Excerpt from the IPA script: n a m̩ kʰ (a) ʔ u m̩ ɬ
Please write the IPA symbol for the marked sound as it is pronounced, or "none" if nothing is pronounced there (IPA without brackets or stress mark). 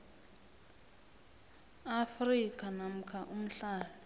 a